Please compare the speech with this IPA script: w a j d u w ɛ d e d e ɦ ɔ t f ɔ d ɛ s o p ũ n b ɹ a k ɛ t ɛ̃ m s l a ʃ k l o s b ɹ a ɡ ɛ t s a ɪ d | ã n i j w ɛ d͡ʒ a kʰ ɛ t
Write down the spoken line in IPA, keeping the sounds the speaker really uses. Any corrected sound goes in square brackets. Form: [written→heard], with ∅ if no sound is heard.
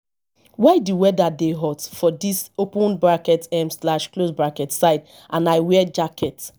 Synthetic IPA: w a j d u w ɛ d [e→a] d e ɦ ɔ t f ɔ d [ɛ→i] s o p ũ n b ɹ a k ɛ t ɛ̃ m s l a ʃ k l o s b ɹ a [ɡ→k] ɛ t s a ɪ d | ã n [i→a] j w ɛ d͡ʒ a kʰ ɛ t